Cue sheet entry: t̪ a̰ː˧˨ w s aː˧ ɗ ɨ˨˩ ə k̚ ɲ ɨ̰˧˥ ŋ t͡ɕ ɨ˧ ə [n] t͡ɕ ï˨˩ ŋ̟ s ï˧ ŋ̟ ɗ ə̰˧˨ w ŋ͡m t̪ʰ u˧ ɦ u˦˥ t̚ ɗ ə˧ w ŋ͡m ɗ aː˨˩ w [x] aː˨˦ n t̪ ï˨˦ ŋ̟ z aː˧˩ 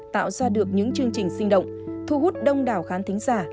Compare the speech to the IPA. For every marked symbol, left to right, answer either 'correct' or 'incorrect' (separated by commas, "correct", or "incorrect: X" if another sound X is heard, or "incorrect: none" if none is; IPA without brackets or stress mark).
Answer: incorrect: ŋ, correct